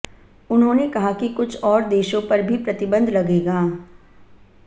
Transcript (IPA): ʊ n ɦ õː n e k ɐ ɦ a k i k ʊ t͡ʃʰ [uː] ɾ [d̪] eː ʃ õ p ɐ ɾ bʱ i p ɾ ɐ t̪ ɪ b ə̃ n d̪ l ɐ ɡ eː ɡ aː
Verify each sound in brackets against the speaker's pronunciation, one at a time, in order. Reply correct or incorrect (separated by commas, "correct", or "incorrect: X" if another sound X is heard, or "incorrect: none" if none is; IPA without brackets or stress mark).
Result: incorrect: ɔː, correct